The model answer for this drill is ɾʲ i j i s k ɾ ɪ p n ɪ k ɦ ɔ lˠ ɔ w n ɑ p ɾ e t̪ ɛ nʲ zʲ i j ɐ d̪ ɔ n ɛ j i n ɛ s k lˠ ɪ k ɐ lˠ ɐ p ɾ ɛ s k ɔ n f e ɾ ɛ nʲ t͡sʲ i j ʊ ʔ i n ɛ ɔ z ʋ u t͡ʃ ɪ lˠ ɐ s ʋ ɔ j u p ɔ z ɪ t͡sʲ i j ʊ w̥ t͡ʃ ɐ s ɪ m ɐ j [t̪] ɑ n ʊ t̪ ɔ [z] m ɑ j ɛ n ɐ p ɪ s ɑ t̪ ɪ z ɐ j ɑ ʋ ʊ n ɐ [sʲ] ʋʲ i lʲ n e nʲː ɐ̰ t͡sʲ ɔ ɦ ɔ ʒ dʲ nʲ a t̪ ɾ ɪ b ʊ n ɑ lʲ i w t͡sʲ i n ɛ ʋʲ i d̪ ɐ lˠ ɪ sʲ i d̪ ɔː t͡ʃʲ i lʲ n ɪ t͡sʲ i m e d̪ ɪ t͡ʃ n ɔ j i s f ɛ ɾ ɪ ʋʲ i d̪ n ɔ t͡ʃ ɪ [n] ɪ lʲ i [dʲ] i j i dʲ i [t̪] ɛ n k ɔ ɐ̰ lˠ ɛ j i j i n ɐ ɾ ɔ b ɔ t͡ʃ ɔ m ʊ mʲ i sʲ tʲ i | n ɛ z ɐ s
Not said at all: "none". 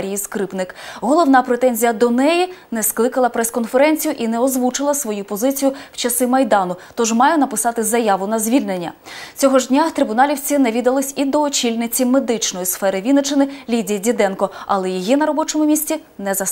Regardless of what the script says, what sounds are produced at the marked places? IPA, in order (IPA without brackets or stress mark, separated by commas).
d̪, ʒ, zʲ, n, dʲ, d̪